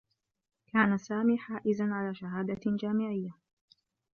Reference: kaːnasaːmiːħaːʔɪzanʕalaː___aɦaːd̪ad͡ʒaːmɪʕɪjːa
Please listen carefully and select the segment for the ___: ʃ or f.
ʃ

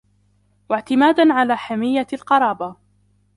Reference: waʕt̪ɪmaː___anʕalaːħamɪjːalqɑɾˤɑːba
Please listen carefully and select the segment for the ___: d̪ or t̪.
d̪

